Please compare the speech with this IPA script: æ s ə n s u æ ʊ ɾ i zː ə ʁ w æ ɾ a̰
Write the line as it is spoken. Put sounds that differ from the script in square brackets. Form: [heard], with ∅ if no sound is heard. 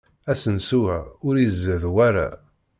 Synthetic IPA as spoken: æ s ə n s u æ ʊ ɾ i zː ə [ð] w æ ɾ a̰